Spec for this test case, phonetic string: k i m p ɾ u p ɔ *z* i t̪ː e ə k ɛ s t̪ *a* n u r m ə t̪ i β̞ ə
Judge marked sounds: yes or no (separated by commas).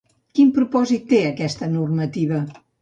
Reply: yes, no